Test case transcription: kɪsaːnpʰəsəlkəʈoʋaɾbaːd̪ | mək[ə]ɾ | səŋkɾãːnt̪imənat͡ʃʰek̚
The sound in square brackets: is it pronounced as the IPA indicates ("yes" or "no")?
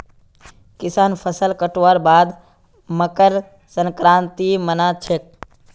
yes